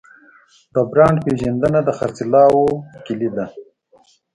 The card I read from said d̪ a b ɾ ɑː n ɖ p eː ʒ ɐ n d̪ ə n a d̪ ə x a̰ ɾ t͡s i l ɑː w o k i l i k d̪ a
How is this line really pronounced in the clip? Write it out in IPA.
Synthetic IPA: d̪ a b ɾ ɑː ɳ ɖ p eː ʒ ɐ n d̪ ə n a d̪ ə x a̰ ɾ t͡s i l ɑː w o k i l i d̪ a